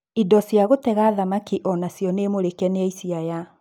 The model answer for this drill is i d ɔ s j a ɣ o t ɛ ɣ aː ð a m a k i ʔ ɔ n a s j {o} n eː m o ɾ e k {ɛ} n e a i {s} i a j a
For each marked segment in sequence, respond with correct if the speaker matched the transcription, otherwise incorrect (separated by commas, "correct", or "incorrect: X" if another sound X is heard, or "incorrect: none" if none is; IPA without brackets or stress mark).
incorrect: ɔ, correct, correct